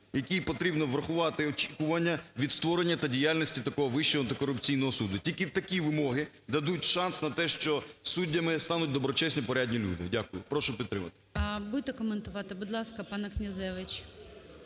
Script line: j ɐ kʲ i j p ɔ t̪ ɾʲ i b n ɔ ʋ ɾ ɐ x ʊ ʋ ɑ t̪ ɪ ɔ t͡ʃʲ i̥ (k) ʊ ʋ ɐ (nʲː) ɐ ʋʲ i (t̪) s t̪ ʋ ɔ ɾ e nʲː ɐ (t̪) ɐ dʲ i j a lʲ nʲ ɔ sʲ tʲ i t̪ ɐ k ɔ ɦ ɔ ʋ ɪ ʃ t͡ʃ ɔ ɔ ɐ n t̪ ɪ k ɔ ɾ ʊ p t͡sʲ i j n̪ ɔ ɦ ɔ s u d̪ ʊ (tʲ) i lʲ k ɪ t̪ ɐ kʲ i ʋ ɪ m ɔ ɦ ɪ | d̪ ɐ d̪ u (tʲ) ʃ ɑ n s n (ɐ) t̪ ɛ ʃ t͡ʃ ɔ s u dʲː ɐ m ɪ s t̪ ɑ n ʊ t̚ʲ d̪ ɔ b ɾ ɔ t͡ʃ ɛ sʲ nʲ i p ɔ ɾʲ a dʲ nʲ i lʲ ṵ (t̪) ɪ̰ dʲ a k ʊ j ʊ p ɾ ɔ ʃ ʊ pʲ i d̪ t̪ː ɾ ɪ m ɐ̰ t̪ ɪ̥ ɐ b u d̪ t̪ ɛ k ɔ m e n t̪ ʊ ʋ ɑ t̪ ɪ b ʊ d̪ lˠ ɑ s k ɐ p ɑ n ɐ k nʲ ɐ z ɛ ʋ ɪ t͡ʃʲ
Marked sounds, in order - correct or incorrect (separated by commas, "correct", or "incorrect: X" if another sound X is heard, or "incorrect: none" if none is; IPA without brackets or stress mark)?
correct, correct, incorrect: d̪, correct, correct, correct, correct, incorrect: d̪